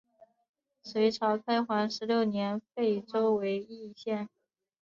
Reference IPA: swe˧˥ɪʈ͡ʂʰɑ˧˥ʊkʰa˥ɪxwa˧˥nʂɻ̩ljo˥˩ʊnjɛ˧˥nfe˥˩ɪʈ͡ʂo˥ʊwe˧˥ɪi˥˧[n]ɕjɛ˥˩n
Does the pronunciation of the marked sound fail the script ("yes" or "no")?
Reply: yes